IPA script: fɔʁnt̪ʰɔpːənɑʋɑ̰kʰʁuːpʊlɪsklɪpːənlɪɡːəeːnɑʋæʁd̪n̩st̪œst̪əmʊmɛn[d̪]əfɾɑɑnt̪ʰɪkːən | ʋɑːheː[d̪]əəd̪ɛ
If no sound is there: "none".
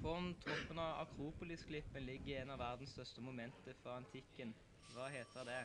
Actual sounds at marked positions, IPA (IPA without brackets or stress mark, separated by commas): t̪, t̪